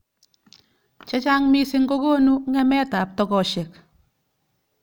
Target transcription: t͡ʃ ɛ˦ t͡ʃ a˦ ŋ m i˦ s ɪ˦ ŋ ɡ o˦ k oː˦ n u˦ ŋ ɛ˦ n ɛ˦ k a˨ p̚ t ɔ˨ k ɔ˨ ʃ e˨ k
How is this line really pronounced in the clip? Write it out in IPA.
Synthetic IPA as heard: t͡ʃ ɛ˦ t͡ʃ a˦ ŋ m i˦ s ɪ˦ ŋ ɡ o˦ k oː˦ n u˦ ŋ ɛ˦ m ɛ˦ t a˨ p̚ t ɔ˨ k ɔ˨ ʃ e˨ k